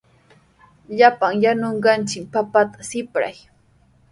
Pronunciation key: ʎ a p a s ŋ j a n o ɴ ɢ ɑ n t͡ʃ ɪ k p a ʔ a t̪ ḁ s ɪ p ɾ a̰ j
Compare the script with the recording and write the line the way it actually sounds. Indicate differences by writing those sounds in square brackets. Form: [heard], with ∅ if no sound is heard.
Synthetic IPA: ʎ a p a [∅] ŋ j a n o ɴ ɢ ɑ n t͡ʃ ɪ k p a [p] a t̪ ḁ s ɪ p ɾ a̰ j